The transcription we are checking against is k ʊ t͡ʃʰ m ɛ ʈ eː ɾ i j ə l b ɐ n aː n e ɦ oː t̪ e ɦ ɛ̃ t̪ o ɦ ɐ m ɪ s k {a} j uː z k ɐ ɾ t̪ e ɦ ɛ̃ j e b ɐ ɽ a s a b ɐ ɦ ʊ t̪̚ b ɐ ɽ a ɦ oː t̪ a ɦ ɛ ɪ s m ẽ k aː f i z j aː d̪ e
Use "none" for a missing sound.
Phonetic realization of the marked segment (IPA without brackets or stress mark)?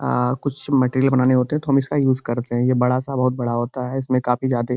a